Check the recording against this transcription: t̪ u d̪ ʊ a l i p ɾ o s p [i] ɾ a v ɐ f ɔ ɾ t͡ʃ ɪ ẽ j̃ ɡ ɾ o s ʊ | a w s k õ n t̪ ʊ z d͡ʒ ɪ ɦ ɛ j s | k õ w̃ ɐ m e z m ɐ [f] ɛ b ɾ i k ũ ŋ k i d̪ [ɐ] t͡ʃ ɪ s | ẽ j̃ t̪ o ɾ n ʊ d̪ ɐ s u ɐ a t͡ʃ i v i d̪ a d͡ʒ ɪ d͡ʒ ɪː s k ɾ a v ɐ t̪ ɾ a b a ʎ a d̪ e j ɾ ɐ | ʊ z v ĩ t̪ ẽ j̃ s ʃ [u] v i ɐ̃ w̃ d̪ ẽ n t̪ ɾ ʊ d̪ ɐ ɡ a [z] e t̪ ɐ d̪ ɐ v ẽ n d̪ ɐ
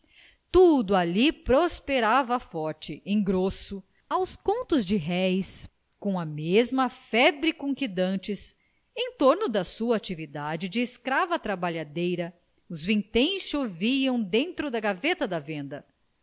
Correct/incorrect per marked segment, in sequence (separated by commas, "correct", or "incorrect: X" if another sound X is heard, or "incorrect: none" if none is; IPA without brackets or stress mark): incorrect: e, correct, incorrect: ɐ̃, incorrect: o, incorrect: v